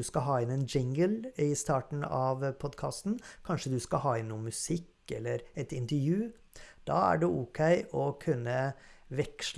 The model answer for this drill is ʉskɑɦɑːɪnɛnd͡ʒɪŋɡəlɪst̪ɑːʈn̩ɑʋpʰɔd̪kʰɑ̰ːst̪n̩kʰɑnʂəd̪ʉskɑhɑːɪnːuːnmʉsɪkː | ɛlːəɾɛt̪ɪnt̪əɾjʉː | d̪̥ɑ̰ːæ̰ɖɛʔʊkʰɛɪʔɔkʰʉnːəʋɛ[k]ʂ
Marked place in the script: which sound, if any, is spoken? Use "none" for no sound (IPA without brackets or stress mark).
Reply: k